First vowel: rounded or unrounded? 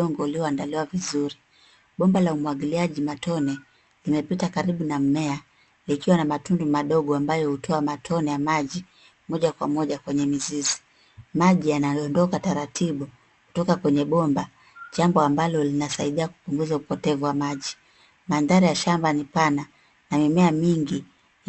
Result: rounded